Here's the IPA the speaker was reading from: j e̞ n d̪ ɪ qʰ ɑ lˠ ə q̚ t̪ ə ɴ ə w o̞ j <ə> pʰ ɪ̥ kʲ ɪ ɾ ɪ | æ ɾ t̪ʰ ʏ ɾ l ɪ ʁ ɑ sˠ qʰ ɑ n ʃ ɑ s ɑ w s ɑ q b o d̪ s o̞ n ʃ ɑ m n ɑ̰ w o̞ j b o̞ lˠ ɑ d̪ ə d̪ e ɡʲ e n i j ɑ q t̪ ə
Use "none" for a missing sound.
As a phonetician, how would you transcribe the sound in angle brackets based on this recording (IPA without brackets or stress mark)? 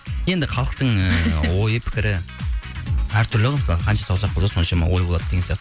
ə